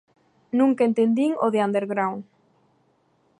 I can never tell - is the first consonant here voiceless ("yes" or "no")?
no